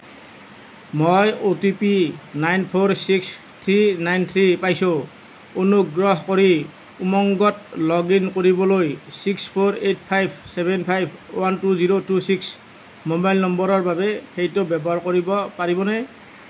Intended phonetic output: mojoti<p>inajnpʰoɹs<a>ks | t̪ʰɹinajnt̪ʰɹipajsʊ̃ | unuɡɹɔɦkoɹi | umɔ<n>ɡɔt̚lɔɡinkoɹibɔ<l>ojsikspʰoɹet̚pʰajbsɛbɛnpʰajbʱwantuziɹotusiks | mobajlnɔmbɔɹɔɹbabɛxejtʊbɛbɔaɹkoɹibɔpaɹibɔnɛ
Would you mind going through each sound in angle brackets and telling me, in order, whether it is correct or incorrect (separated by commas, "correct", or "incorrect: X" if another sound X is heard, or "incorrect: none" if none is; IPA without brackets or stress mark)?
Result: correct, incorrect: i, incorrect: ŋ, correct